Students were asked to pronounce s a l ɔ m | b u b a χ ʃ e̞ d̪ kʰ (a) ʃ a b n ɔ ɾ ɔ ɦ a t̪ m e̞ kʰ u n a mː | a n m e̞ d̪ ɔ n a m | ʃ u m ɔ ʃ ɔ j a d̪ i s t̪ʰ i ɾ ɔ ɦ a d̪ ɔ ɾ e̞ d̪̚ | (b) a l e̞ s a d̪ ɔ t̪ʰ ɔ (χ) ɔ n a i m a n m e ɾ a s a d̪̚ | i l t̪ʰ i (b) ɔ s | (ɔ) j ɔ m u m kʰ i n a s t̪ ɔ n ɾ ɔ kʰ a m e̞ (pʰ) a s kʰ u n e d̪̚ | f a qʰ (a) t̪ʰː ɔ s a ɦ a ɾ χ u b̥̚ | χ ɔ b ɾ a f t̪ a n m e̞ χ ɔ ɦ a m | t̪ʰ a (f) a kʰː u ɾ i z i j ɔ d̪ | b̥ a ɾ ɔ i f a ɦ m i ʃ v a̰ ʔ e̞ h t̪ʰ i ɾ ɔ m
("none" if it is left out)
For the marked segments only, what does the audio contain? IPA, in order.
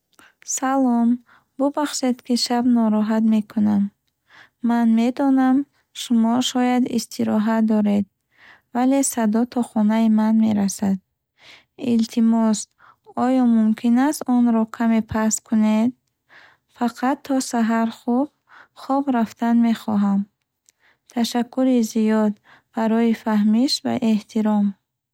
i, v, χ, m, ɔ, pʰ, a, ʃ

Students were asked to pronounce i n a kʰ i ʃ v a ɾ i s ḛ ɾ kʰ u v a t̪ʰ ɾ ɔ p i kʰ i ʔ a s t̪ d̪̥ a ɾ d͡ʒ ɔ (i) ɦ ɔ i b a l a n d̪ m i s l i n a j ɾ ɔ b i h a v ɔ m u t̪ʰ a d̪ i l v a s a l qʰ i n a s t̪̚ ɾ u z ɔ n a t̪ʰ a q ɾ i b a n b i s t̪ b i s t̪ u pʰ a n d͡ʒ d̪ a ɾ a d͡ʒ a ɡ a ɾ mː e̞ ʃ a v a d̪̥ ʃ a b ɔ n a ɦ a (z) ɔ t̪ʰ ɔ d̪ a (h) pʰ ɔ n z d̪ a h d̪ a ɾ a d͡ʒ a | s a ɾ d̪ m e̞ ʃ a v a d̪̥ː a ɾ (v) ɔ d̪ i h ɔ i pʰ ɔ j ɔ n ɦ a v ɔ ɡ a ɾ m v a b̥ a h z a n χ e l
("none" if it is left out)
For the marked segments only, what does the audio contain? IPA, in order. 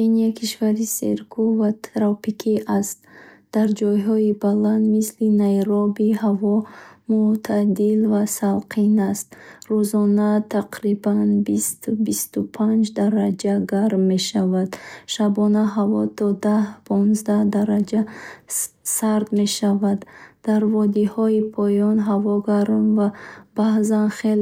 j, v, h, v

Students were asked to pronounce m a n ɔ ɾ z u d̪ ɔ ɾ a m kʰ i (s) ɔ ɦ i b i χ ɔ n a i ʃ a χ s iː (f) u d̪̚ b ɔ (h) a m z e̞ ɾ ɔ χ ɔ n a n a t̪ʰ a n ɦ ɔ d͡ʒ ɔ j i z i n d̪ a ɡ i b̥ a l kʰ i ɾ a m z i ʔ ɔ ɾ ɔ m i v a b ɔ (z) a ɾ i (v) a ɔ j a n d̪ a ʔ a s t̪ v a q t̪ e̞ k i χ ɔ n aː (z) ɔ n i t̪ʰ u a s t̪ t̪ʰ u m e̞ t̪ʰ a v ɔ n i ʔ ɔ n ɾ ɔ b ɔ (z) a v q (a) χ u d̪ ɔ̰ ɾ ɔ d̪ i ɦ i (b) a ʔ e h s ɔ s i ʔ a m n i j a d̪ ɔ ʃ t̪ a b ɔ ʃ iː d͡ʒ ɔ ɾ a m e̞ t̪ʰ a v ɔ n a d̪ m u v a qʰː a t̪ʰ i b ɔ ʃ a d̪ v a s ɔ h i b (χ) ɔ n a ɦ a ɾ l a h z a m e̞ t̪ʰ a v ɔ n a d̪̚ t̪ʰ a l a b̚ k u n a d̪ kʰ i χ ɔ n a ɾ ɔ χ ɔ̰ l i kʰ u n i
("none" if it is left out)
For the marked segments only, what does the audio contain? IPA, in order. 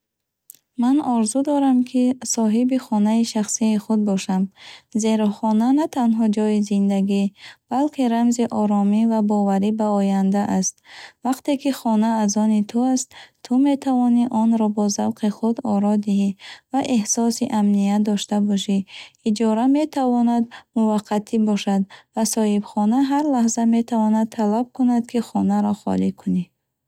s, χ, ʃ, v, b, z, z, i, v, χ

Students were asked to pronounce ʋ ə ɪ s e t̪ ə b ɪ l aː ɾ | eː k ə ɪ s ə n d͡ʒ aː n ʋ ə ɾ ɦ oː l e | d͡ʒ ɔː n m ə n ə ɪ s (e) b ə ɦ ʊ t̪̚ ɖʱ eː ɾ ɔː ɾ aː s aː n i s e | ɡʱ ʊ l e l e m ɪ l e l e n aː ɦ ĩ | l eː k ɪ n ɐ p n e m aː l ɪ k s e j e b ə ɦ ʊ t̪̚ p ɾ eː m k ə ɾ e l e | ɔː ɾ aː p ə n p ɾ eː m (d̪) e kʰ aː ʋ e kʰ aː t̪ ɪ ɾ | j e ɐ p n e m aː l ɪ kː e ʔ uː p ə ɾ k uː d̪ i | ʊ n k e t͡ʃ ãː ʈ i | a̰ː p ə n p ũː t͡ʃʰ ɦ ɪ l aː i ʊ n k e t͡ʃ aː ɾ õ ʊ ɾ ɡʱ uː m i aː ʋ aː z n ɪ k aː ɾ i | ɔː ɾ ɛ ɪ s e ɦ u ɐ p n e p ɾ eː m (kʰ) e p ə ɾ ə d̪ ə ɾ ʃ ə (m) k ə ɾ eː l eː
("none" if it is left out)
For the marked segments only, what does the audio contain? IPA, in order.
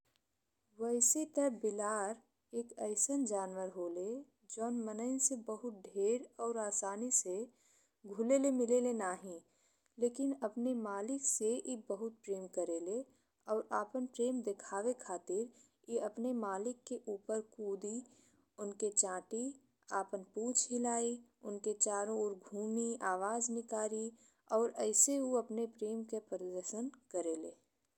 e, d̪, k, n

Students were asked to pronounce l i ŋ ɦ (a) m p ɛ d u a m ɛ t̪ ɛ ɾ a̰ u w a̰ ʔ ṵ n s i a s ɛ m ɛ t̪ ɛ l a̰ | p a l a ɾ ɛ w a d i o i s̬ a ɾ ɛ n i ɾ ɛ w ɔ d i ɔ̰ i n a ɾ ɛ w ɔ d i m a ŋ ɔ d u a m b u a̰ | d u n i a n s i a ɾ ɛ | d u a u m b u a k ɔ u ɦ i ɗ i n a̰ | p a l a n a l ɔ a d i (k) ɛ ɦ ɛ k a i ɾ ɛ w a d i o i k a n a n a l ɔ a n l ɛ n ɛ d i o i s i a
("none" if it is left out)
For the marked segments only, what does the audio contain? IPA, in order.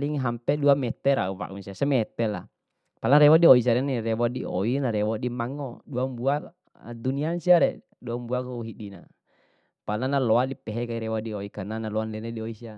a, p

